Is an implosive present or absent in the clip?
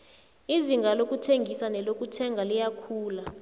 absent